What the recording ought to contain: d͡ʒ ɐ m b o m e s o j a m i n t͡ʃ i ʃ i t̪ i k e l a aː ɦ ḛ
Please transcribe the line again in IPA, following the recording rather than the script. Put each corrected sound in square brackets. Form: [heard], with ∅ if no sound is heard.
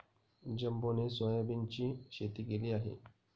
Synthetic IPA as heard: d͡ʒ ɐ m b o [n] e s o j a [b] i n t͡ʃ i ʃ [e] t̪ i k e l [i] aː ɦ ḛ